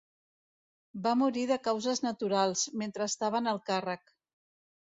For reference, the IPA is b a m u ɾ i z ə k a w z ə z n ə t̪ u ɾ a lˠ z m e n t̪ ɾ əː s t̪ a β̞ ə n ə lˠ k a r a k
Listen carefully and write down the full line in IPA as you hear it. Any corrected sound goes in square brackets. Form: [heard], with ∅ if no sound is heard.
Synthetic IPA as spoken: b a m u ɾ i [ð] ə k a w z ə z n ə t̪ u ɾ a lˠ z m e n t̪ ɾ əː s t̪ a β̞ ə n ə lˠ k a r [ə] k